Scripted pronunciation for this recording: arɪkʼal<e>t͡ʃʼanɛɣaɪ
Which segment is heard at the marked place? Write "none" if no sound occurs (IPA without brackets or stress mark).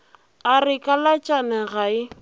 a